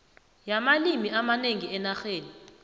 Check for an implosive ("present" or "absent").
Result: absent